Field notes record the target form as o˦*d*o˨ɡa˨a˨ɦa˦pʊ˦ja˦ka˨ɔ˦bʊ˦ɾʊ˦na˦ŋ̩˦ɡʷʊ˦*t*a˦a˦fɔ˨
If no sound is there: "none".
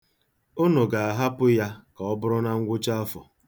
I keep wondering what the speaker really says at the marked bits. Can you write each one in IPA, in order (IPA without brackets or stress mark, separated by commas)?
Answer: n, t͡ʃ